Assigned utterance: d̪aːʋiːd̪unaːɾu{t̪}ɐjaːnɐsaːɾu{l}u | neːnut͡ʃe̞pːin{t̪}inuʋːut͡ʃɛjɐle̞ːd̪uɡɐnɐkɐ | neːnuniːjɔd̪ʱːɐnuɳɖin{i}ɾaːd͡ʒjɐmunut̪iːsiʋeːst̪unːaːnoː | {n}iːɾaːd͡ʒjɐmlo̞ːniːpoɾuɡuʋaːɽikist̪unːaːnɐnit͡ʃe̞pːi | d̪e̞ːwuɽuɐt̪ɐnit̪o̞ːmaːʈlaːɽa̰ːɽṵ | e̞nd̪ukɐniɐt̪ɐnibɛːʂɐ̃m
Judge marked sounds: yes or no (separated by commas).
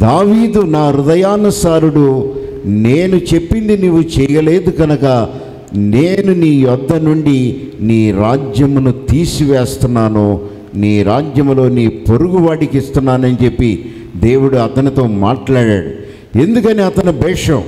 no, no, no, no, yes